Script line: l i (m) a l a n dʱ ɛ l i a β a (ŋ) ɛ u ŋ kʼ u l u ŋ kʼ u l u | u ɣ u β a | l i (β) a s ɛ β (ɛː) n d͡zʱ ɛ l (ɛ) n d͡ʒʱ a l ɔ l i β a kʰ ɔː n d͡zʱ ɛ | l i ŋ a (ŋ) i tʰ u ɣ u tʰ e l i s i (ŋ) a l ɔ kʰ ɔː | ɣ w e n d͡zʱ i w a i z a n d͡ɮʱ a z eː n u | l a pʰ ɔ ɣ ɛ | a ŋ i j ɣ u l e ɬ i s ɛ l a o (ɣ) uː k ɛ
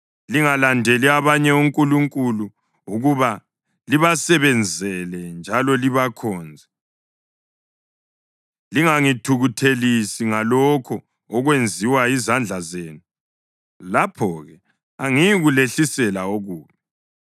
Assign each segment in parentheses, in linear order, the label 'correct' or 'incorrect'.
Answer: incorrect, incorrect, correct, incorrect, correct, correct, correct, correct

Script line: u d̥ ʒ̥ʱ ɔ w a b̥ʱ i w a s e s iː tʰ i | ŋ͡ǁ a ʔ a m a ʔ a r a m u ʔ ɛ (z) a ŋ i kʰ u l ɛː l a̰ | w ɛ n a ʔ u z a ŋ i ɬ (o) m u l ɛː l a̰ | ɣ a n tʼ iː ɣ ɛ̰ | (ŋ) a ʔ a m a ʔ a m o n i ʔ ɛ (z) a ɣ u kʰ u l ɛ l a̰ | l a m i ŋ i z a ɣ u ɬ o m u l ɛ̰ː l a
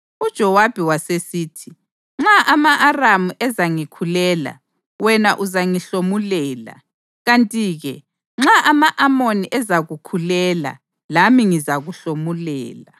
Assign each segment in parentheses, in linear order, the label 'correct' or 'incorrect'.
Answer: correct, correct, incorrect, correct

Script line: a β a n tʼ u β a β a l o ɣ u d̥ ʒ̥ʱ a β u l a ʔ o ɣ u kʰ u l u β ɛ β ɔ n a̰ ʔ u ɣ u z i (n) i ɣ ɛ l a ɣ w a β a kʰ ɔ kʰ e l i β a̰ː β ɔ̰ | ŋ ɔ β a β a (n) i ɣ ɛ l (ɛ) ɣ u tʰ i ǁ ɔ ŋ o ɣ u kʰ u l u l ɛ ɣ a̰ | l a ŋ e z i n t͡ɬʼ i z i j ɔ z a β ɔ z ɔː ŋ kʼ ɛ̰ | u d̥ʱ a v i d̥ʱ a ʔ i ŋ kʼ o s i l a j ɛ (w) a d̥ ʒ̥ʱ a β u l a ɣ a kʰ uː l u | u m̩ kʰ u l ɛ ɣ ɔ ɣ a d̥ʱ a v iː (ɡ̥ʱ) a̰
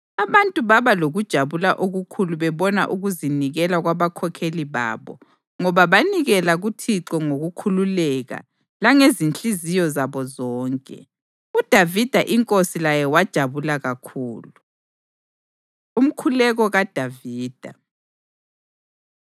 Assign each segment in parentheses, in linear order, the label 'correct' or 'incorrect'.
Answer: correct, correct, incorrect, correct, incorrect

